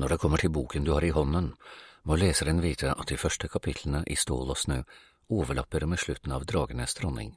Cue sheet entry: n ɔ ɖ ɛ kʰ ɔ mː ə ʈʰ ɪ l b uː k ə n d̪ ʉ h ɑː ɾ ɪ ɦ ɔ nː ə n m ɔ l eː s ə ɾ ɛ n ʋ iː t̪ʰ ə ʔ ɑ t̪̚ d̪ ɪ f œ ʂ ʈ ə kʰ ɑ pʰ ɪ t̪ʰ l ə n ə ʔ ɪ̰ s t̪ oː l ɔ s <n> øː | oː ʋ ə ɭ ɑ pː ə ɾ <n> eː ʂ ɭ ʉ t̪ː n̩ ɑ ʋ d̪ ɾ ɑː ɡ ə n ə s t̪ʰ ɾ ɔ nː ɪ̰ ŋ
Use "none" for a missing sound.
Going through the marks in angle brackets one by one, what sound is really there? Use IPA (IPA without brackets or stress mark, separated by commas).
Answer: n, m